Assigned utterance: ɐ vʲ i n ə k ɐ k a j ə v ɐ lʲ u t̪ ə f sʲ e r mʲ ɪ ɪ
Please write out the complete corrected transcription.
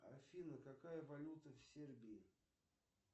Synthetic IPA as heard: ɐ fʲ i n ə k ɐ k a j ə v ɐ lʲ u t̪ ə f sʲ e r bʲ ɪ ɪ